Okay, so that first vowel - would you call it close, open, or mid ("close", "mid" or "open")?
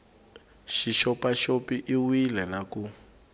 close